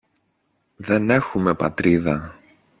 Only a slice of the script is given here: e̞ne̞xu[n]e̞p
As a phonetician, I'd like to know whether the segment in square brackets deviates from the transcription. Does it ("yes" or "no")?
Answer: yes